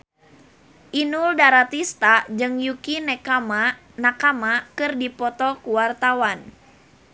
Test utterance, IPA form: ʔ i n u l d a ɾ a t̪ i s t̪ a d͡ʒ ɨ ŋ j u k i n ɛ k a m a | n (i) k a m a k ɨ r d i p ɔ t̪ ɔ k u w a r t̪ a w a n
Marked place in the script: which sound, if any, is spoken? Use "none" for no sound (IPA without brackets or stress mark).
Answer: a